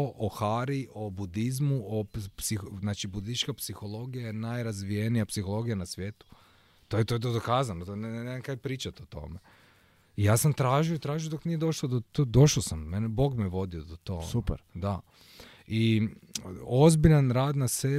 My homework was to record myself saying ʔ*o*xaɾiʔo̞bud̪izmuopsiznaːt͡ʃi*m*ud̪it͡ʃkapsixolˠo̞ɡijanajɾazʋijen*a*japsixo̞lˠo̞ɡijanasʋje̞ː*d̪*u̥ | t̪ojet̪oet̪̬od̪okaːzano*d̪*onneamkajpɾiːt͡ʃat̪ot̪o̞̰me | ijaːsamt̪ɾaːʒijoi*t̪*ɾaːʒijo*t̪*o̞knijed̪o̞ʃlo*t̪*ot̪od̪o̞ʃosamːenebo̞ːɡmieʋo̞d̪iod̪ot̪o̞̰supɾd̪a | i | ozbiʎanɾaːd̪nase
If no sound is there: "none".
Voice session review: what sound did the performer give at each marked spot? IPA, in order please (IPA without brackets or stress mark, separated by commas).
o, b, i, t̪, t̪, t̪, d̪, d̪